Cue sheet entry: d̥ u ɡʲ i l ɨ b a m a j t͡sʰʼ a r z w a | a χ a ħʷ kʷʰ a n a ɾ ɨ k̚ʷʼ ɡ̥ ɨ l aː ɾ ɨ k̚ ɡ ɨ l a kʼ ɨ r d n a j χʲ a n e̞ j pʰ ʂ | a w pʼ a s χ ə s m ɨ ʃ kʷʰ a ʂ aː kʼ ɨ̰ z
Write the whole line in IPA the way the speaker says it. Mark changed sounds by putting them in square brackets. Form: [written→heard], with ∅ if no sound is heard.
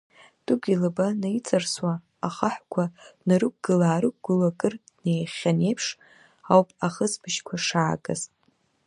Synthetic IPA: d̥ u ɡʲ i l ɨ b a [m→n] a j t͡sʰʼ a r [z→s] w a | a χ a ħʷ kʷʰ a n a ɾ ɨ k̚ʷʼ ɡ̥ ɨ l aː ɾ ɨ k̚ ɡ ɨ l a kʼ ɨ r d n [a→e] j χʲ a n e̞ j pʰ ʂ | a w pʼ a [s→∅] χ ə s [m→b] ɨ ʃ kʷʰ a ʂ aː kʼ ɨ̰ z